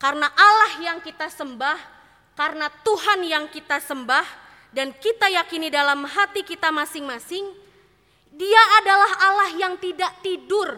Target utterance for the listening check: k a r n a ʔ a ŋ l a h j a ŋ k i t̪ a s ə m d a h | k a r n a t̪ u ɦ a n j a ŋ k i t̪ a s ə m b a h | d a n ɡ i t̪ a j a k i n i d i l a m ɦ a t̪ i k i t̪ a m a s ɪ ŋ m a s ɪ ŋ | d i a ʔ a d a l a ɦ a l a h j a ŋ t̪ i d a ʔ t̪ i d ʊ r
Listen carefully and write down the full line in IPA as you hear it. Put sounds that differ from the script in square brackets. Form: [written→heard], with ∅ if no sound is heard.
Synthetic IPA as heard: k a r n a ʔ a [ŋ→∅] l a h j a ŋ k i t̪ a s ə m [d→b] a h | k a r n a t̪ u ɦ a n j a ŋ k i t̪ a s ə m b a h | d a n [ɡ→k] i t̪ a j a k i n i d [i→a] l a m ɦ a t̪ i k i t̪ a m a s ɪ ŋ m a s ɪ ŋ | d i a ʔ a d a l a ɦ a l a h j a ŋ t̪ i d a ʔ t̪ i d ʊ r